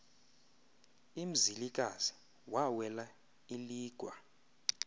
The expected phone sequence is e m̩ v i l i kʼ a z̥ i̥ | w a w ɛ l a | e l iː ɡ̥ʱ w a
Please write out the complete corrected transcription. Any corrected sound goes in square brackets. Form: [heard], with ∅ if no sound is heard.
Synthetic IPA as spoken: [i] m̩ [z] i l i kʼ a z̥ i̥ | w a w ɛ l a | [i] l iː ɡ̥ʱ w a